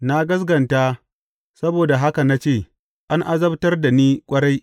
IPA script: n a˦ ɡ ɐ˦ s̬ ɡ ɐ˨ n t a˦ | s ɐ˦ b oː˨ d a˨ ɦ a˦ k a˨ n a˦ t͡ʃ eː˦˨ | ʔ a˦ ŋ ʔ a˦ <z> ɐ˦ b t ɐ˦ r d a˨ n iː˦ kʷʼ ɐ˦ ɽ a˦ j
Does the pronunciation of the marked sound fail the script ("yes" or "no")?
no